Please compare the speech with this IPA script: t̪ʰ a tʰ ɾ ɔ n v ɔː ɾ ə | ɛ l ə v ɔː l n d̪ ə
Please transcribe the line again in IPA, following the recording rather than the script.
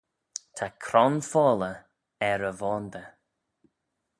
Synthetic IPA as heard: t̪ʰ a kʰ ɾ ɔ n f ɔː l ə | ɛ ɾ ə v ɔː n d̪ ə